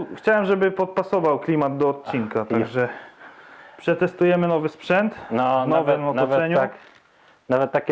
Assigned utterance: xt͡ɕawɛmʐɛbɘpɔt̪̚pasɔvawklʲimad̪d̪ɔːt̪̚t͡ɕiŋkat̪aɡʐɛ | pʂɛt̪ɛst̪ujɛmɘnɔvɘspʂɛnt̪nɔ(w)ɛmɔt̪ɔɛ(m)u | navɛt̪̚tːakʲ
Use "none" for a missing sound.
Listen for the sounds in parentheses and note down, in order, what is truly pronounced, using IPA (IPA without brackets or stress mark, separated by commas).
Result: v, ɲ